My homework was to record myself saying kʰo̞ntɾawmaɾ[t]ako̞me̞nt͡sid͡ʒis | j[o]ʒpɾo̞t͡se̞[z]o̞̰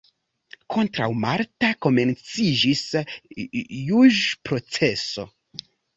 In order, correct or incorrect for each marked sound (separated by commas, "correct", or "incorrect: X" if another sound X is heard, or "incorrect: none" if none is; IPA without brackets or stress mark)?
correct, incorrect: u, incorrect: s